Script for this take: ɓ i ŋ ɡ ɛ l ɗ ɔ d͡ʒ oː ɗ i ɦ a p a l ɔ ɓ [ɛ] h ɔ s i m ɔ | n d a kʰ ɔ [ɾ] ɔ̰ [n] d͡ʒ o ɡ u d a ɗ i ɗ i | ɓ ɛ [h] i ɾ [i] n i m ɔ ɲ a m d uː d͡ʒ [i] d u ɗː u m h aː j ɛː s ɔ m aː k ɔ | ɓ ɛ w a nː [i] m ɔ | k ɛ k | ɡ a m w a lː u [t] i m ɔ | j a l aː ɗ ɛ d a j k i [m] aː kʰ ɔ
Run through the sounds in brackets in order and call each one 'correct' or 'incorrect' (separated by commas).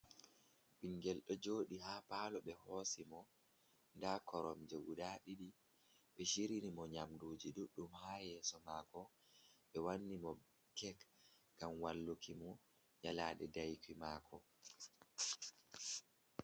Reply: correct, correct, incorrect, incorrect, correct, correct, correct, incorrect, correct